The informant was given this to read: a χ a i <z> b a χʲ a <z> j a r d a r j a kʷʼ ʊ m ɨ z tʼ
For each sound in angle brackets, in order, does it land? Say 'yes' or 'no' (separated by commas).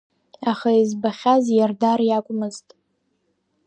yes, yes